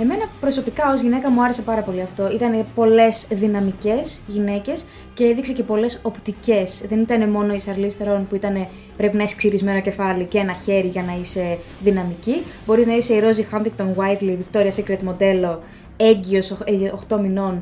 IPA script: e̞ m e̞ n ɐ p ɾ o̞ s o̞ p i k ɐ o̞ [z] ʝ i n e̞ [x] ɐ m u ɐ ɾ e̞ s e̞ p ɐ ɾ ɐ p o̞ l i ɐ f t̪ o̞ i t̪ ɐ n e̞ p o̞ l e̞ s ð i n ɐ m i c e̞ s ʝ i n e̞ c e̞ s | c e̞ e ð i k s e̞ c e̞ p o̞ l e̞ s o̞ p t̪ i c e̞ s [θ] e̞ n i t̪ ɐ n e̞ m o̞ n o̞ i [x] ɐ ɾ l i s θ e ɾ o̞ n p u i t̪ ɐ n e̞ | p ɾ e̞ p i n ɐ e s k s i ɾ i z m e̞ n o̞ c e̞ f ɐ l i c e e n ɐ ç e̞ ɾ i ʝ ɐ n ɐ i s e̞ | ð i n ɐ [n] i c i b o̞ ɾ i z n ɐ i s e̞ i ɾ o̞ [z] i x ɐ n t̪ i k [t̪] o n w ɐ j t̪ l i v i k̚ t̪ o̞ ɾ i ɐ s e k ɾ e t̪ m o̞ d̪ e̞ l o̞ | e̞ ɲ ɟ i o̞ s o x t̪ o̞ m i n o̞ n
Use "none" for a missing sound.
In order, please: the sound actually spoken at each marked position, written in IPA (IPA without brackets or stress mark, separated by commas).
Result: z, k, ð, s, m, z, t̪